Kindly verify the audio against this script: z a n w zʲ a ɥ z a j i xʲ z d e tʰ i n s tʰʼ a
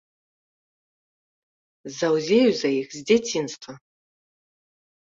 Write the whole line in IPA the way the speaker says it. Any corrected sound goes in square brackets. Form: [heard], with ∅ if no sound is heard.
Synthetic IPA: z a [∅] w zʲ [e] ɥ z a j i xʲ z d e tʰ i n s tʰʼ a